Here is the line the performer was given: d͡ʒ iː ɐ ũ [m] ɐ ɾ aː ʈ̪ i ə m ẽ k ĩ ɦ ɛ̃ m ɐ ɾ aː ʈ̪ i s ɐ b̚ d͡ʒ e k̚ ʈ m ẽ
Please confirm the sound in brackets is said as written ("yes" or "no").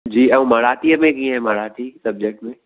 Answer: yes